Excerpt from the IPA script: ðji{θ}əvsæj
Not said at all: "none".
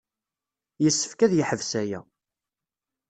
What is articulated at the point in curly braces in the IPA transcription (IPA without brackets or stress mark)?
ħ